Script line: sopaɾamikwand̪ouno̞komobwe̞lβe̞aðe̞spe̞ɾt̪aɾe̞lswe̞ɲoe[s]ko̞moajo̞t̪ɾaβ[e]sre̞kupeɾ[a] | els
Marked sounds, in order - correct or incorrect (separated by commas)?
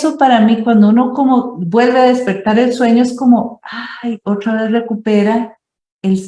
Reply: correct, correct, correct